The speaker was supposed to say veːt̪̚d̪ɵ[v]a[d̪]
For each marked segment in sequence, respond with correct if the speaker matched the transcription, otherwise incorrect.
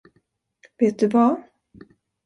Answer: correct, incorrect: none

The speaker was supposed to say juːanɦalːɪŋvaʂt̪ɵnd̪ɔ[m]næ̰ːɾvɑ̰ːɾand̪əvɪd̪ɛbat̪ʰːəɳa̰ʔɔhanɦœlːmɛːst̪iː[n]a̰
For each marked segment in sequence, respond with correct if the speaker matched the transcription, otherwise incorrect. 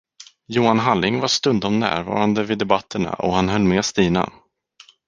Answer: correct, correct

